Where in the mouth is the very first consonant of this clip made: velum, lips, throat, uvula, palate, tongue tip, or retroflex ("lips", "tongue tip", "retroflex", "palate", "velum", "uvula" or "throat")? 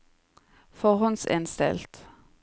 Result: lips